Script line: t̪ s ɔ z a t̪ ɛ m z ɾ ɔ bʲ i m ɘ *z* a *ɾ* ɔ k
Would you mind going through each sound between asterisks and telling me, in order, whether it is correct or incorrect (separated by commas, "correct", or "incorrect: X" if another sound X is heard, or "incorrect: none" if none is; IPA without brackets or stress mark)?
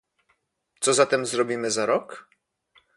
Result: correct, correct